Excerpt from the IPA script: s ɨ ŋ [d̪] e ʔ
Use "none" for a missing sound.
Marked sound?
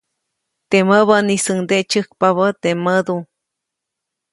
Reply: d̪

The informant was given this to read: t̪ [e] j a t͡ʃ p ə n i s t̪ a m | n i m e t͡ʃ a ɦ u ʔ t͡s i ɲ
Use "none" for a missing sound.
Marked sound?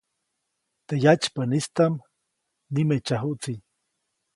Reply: e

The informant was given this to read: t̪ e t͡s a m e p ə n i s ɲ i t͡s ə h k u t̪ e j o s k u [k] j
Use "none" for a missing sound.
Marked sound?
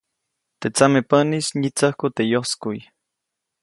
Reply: none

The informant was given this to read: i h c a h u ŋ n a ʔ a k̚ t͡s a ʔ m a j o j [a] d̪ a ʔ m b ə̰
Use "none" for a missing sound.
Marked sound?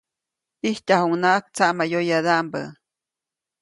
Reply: a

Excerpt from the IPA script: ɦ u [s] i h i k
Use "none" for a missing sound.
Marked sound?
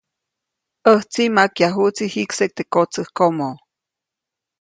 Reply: t͡s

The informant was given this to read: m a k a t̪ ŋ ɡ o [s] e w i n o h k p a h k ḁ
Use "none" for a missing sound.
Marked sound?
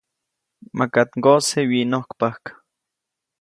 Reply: s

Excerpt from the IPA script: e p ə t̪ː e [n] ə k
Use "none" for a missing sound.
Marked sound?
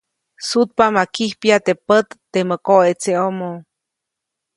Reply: m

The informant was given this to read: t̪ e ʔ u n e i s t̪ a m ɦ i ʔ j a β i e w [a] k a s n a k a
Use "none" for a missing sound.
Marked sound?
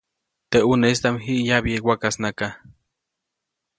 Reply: a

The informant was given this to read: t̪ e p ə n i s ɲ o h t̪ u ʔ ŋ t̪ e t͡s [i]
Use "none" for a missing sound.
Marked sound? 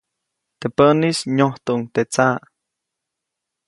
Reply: a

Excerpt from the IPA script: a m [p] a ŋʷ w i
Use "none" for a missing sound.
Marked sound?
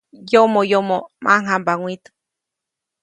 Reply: b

